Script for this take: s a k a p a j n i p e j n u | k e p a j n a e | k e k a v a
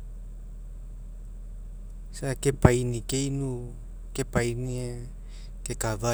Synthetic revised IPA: s a k e p a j n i k e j n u | k e p a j n i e | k e k a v a